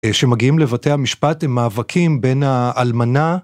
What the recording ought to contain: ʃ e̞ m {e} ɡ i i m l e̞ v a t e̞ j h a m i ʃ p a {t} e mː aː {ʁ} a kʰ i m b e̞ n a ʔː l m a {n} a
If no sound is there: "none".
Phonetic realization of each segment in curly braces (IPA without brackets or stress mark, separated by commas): a, t, v, n